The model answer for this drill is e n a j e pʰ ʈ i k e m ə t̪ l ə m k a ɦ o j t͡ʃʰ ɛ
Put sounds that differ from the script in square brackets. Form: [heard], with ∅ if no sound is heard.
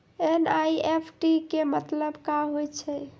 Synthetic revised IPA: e n a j e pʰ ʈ i k e m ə t̪ l ə [b] k a ɦ o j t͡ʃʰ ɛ

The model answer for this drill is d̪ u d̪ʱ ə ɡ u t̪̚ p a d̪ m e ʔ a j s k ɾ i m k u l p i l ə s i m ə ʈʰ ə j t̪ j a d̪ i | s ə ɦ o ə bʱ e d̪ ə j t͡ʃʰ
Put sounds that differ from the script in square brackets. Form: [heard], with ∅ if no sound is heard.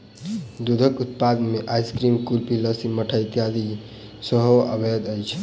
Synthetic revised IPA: d̪ u d̪ʱ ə [k] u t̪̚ p a d̪ m e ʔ a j s k ɾ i m k u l p i l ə s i m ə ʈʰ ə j t̪ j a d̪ i | s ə ɦ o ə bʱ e d̪ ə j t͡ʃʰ

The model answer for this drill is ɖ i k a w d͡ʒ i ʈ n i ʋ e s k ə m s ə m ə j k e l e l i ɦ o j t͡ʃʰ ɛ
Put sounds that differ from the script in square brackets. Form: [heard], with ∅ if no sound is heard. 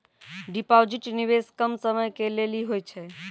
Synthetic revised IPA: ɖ i [p] a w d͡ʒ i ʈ n i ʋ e s k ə m s ə m ə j k e l e l i ɦ o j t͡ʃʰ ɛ

